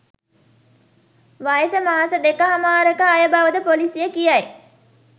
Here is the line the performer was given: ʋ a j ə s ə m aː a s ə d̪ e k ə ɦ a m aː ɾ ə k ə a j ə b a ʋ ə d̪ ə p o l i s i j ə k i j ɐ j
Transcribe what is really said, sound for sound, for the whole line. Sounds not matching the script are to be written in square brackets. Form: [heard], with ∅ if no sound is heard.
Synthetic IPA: ʋ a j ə s ə m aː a s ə d̪ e k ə ɦ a m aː ɾ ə k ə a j ə b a ʋ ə d̪ ə p o l i s i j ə k i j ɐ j